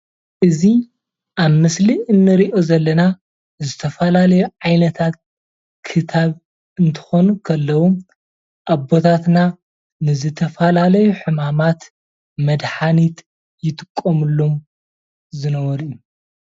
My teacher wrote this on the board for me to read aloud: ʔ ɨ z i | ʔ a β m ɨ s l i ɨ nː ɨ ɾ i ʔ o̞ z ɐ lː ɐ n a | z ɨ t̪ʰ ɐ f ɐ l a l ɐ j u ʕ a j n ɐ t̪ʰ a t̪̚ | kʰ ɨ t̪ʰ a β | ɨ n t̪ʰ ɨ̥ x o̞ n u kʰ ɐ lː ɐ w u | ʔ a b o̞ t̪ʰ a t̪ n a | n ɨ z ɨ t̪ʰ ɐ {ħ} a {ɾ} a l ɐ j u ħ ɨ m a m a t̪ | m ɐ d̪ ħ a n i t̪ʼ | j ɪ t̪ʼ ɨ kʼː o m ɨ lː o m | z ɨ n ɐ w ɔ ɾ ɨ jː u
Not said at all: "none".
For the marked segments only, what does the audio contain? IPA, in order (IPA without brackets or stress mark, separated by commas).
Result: f, l